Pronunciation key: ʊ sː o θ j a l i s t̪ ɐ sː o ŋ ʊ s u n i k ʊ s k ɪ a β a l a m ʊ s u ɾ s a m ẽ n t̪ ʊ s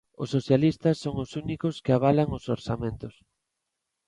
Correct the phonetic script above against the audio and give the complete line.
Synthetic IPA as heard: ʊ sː o θ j a l i s t̪ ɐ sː o ŋ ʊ s u n i k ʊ s k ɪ a β a l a ŋ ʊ s o ɾ s a m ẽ n t̪ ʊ s